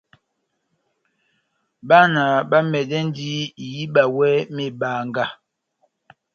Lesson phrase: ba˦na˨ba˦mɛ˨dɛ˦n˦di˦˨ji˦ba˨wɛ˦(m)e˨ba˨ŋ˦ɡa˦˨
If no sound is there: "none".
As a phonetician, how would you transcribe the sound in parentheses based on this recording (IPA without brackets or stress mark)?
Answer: m